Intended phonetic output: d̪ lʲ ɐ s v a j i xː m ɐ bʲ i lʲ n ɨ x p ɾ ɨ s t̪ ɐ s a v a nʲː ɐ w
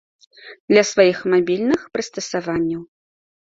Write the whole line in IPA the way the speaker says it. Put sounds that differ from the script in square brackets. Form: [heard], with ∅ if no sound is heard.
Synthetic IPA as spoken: d̪ lʲ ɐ s v a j i [x] m [a] bʲ i lʲ n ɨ x p ɾ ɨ s t̪ ɐ s a v a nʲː ɐ w